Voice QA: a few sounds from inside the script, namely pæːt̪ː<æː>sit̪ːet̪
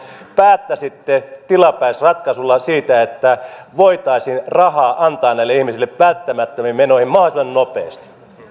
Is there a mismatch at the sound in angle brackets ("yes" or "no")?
yes